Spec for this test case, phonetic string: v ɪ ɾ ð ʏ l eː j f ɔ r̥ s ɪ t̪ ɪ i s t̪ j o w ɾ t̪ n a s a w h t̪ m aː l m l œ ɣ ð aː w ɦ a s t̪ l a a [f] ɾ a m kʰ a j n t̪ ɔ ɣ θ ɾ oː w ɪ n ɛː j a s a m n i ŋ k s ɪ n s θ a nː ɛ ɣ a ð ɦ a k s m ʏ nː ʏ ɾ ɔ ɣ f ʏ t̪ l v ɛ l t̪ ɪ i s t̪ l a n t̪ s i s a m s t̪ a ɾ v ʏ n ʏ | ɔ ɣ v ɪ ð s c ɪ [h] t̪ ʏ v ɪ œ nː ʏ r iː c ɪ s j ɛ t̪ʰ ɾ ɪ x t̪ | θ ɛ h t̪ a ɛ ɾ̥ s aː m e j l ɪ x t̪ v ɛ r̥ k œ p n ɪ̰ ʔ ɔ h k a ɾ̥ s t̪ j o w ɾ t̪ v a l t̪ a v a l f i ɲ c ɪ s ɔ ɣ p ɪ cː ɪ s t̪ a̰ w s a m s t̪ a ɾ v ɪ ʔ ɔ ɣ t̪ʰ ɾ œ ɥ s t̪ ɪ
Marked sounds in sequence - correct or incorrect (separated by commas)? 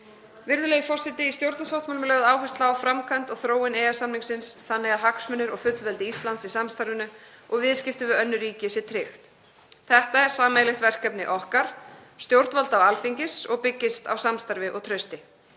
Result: correct, incorrect